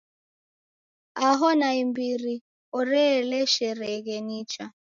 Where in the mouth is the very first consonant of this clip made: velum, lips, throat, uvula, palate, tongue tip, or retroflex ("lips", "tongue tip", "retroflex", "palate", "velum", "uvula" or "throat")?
throat